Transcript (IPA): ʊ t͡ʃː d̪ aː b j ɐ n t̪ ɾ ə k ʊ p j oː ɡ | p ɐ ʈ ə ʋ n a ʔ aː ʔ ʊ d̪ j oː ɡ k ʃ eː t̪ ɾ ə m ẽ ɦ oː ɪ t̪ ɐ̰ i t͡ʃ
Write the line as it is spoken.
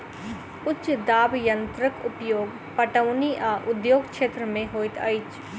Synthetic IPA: ʊ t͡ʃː d̪ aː b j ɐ n t̪ ɾ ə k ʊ p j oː ɡ | p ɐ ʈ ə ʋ n i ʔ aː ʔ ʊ d̪ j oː ɡ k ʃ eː t̪ ɾ ə m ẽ ɦ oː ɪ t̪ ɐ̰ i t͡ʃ

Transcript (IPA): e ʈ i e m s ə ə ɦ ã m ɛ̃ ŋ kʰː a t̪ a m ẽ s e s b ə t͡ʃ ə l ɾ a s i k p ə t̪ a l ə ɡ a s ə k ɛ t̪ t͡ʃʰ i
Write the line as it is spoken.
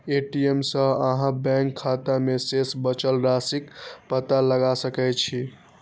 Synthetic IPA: e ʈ i e m s ə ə ɦ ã b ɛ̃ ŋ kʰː a t̪ a m e s e s b ə t͡ʃ ə l ɾ a s i k p ə t̪ a l ə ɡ a s ə k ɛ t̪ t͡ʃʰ i

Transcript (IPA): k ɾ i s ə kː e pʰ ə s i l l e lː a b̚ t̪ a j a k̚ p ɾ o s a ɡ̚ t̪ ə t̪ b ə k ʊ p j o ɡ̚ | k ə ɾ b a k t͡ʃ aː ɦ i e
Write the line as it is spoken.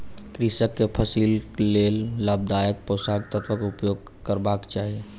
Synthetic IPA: k ɾ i s ə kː e pʰ ə s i l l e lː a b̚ d̪ a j ə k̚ p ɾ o s a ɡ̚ t̪ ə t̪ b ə k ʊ p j o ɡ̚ | k ə ɾ b a k t͡ʃ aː ɦ i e

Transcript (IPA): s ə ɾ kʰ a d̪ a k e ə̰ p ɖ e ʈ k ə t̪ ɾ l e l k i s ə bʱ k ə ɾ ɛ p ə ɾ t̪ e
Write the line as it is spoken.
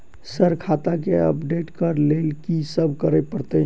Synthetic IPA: s ə ɾ kʰ a t̪ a k e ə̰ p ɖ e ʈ k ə ɾ l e l k i s ə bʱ k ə ɾ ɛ p ə ɾ t̪ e

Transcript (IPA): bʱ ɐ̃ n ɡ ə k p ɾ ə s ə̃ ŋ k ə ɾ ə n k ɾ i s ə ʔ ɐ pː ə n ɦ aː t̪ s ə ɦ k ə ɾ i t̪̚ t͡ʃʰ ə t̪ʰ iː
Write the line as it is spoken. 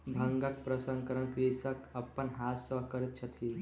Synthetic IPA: bʱ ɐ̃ ŋ ɡ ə k p ɾ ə s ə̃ ŋ k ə ɾ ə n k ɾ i s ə k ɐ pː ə n ɦ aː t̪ s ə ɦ k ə ɾ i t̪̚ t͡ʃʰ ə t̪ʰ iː

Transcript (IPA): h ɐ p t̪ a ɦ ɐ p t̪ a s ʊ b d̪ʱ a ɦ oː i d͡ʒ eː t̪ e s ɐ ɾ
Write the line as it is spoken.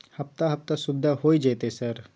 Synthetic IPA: h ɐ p t̪ a ɦ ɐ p t̪ a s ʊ b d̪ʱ a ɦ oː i d͡ʒ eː t̪ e s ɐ ɾ

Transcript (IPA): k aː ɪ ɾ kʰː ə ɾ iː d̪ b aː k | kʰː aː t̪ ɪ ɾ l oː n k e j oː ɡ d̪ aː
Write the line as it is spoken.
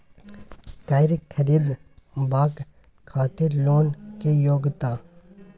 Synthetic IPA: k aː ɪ ɾ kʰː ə ɾ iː d̪ b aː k | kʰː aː t̪ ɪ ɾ l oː n k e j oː ɡ t̪ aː

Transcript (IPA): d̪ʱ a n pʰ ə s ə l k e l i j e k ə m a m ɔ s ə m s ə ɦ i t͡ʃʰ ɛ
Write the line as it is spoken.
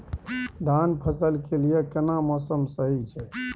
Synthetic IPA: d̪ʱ a n pʰ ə s ə l k e l i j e k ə n a m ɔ s ə m s ə ɦ i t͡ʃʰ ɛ

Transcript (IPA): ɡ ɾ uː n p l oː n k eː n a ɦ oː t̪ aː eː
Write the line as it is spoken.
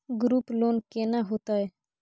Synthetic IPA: ɡ ɾ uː p l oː n k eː n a ɦ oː t̪ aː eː

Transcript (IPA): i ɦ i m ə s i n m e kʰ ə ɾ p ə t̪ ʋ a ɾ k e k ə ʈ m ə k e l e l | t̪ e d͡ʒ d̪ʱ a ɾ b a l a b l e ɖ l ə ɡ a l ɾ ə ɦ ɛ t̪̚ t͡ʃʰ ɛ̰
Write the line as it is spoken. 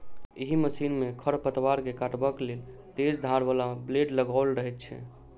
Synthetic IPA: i ɦ i m ə s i n m e kʰ ə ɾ p ə t̪ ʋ a ɾ k e k a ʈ b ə k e l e l | t̪ e d͡ʒ d̪ʱ a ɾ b a l a b l e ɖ l ə ɡ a l ɾ ə ɦ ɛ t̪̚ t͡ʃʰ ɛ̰

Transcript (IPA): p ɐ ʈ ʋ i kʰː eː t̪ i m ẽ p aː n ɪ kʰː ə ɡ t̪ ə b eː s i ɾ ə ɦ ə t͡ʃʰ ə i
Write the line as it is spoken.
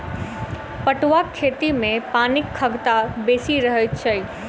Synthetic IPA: p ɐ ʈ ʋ a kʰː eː t̪ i m ẽ p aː n ɪ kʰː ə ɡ t̪ a b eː s i ɾ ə ɦ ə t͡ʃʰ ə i

